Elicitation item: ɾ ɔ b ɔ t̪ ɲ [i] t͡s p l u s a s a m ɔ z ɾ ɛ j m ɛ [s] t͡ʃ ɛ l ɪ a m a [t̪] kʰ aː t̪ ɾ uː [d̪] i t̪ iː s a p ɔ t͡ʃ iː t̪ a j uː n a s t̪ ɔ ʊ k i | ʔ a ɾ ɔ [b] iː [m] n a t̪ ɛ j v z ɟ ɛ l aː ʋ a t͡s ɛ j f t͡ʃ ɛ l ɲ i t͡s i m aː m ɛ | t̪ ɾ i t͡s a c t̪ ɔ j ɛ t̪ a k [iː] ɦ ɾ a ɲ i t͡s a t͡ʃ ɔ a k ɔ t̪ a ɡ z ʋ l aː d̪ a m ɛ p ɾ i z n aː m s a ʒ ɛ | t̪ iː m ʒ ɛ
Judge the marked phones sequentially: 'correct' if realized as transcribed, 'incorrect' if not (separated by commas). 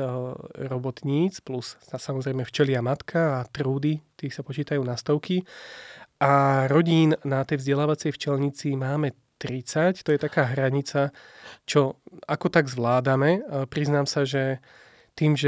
incorrect, incorrect, correct, correct, incorrect, incorrect, incorrect